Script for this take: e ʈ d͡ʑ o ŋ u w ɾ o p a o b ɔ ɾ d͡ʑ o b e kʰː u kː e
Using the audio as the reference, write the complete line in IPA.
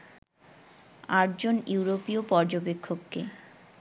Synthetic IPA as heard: a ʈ d͡ʑ o n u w ɾ o p i o p ɔ ɾ d͡ʑ o b e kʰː o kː e